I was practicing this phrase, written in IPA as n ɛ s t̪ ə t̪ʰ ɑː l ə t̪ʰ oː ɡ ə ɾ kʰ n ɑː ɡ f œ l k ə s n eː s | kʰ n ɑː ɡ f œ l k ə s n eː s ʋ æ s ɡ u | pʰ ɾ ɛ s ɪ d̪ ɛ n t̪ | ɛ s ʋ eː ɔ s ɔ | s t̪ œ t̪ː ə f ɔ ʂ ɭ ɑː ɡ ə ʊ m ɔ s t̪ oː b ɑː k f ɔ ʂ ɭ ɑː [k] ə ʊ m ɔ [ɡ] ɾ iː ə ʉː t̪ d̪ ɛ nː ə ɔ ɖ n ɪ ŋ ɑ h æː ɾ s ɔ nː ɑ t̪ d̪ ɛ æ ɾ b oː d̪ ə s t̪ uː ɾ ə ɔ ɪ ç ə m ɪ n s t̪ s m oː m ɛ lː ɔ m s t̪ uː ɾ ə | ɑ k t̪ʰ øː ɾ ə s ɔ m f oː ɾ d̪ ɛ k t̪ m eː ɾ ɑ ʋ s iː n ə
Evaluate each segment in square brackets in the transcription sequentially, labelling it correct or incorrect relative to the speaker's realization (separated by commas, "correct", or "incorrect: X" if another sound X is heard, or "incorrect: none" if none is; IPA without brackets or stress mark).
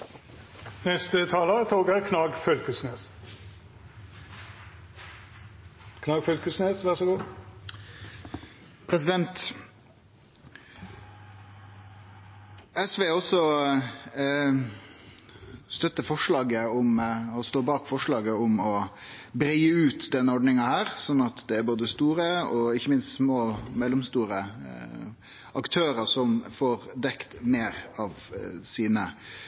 incorrect: ɡ, incorrect: b